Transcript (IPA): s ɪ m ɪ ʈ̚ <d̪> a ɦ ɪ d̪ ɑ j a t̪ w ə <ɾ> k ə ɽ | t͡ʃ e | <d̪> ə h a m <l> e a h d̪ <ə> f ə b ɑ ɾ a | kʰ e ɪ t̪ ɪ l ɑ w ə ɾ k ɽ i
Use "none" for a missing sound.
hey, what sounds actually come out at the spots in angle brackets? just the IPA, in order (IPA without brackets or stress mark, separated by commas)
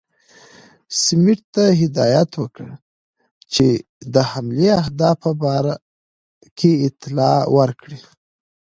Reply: t̪, none, d̪, l, ɑ